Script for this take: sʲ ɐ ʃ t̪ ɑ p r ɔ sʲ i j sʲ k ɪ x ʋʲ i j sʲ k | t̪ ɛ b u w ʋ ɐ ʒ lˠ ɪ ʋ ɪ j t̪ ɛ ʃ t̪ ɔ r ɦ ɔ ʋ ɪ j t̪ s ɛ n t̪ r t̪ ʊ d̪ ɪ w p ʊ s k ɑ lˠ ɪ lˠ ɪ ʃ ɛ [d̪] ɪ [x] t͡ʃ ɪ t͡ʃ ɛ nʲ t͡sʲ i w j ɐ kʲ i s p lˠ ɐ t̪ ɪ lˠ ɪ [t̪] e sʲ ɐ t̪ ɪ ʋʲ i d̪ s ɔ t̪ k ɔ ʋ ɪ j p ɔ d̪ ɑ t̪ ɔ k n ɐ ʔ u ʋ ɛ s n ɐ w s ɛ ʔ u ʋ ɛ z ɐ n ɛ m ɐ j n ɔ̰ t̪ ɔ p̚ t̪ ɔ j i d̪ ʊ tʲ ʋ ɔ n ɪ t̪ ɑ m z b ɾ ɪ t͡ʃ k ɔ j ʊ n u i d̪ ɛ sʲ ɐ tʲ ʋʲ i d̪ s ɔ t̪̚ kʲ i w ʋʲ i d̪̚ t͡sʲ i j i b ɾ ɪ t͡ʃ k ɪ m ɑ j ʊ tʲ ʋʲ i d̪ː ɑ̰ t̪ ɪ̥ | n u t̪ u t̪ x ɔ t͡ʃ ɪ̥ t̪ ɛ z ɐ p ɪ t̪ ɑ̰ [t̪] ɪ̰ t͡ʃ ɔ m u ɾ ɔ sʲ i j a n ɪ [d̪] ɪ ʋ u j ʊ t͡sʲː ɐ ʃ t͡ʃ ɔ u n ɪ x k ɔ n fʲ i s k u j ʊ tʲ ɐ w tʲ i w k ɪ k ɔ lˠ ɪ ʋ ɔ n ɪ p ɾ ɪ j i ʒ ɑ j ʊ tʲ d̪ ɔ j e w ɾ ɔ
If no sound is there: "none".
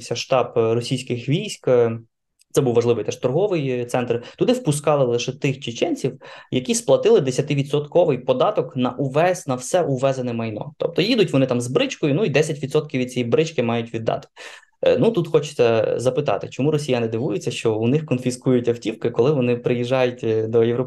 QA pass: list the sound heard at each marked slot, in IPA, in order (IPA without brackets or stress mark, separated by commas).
t̪, x, d̪, t̪, d̪